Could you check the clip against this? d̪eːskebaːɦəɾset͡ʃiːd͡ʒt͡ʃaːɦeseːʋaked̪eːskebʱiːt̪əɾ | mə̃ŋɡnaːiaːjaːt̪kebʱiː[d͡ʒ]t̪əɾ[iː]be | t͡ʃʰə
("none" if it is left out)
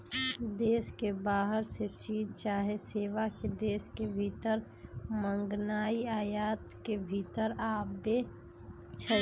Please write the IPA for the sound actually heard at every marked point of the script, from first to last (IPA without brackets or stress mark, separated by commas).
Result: none, aː